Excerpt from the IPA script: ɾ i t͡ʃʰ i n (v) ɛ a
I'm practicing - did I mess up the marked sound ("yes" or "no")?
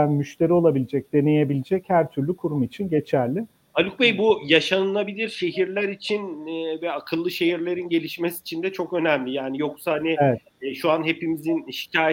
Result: no